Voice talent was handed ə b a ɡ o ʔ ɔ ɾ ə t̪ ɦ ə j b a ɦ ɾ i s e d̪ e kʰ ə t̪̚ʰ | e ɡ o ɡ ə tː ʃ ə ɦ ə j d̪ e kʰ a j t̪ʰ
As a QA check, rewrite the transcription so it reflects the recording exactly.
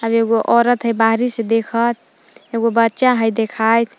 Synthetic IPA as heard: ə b e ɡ o ʔ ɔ ɾ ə t̪ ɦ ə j b a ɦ ɾ i s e d̪ e kʰ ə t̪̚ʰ | e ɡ o b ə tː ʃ a ɦ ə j d̪ e kʰ a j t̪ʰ